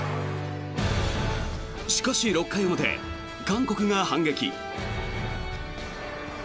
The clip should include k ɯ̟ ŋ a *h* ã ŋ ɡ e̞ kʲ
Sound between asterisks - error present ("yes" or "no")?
no